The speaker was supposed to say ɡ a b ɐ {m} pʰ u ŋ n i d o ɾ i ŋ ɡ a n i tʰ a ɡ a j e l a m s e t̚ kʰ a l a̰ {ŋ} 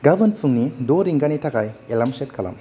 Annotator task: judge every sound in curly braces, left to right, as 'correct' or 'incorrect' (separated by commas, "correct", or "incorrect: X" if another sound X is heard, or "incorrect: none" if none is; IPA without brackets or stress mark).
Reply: incorrect: n, incorrect: m